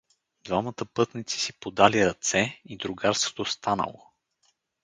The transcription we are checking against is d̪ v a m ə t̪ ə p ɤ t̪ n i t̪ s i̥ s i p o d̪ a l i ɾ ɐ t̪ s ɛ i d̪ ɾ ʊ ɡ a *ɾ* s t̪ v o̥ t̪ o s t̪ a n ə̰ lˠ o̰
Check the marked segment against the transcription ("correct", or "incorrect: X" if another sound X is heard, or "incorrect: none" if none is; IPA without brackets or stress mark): correct